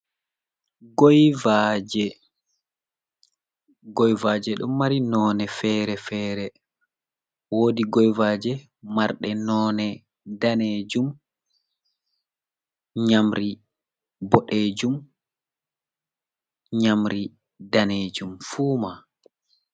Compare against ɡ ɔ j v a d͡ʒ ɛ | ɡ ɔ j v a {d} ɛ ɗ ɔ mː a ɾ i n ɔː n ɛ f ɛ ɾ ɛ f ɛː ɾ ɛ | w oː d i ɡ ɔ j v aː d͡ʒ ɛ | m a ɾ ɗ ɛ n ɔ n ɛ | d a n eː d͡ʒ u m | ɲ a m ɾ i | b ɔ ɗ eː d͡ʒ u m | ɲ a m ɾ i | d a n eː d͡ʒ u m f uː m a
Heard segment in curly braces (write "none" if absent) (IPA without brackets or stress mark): d͡ʒ